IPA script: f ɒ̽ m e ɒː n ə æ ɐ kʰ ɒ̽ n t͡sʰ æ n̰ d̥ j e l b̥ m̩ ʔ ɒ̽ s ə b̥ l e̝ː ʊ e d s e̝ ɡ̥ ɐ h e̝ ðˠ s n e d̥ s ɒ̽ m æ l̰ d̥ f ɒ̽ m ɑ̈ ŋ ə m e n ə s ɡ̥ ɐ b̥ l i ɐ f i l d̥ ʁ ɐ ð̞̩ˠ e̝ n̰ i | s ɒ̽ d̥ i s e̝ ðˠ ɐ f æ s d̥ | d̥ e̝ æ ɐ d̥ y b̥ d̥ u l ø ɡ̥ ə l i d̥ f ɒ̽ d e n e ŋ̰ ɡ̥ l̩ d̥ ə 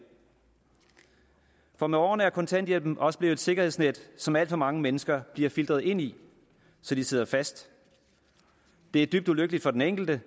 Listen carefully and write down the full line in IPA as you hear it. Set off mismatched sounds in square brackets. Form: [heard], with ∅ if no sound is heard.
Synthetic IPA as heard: f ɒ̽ m e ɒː n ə æ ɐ kʰ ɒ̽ n t͡sʰ æ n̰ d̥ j e l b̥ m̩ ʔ ɒ̽ s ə b̥ l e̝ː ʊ e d s e̝ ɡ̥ ɐ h e̝ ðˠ s n e d̥ s ɒ̽ m æ l̰ d̥ f ɒ̽ m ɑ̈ ŋ ə m e n ə s ɡ̥ ɐ b̥ l i ɐ f i l d̥ ʁ ɐ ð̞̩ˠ e̝ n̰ i | s ɒ̽ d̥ i s e̝ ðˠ ɐ f æ s d̥ | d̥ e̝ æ ɐ d̥ y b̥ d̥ u l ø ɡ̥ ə l i d̥ f ɒ̽ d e n e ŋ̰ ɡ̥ l̩ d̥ ə